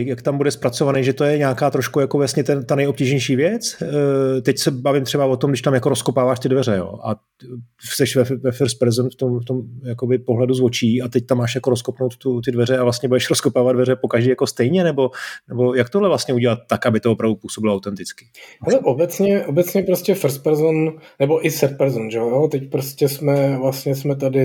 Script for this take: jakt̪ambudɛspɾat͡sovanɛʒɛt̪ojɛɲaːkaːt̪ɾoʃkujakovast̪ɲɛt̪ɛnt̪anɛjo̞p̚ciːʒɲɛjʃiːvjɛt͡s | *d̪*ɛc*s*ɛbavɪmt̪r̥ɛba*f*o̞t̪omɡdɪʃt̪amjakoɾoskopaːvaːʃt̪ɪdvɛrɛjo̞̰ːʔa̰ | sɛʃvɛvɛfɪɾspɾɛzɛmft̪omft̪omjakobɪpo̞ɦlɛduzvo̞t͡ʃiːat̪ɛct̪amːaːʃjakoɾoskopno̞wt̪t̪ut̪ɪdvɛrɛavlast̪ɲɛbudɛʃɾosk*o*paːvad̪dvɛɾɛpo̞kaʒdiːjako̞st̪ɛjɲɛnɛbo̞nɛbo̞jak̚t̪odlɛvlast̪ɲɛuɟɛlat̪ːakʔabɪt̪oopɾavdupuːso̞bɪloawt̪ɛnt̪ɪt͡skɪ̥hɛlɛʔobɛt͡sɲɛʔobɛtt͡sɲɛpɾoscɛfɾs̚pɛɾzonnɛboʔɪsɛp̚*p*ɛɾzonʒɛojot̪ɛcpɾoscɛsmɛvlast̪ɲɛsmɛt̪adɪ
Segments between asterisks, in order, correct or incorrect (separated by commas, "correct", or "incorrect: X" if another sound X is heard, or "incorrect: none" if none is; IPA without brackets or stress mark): incorrect: t̪, correct, incorrect: v, correct, correct